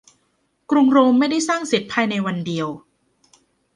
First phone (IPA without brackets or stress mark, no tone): k